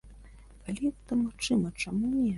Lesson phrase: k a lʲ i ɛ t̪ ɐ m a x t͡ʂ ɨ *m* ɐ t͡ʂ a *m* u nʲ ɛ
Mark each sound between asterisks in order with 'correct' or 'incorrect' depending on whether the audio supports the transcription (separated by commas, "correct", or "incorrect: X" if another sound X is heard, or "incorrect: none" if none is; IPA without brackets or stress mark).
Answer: correct, correct